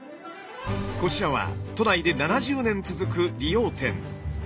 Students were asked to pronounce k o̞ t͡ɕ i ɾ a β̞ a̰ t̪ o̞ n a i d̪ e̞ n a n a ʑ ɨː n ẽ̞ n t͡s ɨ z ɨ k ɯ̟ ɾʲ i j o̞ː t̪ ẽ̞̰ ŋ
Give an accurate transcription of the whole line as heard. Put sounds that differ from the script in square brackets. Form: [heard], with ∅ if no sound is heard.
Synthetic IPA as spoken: k o̞ t͡ɕ i ɾ a β̞ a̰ t̪ o̞ n a i d̪ e̞ n a n a ʑ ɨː n ẽ̞ n t͡s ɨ z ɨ k ɯ̟ ɾʲ i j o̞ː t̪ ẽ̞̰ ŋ